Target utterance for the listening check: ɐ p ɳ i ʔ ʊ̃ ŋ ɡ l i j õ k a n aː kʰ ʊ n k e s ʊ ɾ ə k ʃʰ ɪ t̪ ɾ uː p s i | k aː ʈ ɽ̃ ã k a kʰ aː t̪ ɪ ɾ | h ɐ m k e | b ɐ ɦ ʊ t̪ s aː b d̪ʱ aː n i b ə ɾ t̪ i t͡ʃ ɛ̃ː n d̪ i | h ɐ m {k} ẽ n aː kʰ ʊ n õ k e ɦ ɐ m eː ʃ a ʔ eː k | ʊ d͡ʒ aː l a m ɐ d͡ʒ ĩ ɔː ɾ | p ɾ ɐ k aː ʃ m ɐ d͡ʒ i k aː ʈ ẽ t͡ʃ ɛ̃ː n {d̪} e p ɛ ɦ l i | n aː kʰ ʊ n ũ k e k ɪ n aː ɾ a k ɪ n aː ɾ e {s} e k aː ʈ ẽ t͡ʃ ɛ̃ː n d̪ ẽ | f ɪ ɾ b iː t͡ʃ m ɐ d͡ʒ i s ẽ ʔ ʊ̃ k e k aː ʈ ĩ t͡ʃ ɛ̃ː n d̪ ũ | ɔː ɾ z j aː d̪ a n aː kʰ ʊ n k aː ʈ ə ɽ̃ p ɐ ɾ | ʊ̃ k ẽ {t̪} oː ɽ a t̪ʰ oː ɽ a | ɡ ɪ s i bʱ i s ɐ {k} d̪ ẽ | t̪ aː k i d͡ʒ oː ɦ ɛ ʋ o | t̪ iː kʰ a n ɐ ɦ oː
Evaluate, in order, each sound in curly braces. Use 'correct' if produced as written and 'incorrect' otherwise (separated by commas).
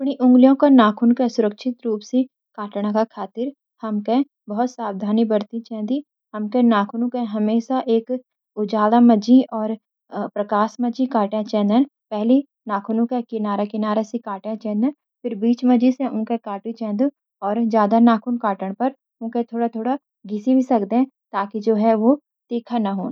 correct, correct, correct, incorrect, correct